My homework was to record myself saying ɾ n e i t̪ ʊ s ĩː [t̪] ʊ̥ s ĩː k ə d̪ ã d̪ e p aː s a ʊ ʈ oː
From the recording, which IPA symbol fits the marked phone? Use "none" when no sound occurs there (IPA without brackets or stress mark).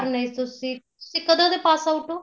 t̪